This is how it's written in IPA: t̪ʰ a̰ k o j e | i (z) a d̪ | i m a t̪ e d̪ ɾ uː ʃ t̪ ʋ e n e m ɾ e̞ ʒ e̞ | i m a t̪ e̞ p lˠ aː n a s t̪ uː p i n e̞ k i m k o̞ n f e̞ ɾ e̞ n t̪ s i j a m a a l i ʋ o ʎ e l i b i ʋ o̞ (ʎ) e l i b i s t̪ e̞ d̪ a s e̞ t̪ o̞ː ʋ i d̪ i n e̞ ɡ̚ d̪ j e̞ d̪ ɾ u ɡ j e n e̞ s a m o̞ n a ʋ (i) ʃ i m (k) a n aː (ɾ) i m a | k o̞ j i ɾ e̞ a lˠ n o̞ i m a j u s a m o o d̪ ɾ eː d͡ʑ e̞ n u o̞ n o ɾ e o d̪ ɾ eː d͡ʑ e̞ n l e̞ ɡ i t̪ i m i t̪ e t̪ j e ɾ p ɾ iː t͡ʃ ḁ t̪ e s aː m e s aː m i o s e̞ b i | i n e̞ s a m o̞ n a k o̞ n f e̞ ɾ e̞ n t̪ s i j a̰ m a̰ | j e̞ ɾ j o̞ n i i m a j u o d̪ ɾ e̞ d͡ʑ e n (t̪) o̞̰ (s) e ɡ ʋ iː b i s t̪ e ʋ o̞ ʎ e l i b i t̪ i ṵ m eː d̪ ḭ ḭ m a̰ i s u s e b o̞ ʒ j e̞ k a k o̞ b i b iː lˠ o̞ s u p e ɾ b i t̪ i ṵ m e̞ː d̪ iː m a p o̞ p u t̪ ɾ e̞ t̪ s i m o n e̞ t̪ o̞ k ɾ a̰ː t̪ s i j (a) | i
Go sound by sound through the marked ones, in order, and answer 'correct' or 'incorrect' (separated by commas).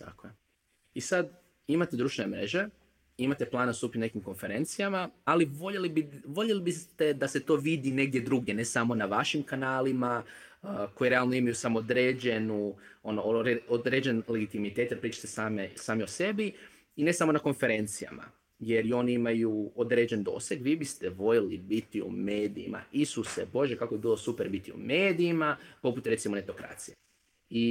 incorrect, correct, incorrect, correct, incorrect, incorrect, correct, incorrect